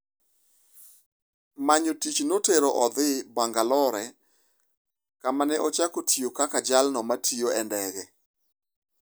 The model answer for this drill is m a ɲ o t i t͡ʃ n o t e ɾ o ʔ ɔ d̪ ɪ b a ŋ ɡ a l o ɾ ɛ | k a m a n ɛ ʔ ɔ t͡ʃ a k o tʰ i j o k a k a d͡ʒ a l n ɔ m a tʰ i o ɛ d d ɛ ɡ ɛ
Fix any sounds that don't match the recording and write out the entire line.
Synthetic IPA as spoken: m a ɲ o t i t͡ʃ n o t e ɾ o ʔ ɔ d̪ ɪ b a ŋ ɡ a l ɔ ɾ ɛ | k a m a n ɛ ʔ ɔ t͡ʃ a k o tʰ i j o k a k a d͡ʒ a l n ɔ m a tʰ i o ɛ n d ɛ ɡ ɛ